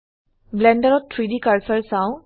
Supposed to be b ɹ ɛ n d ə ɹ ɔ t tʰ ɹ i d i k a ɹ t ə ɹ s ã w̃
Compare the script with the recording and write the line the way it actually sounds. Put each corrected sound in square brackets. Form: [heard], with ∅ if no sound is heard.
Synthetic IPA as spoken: b [l] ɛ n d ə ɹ ɔ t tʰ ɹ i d i k a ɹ [s] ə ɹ s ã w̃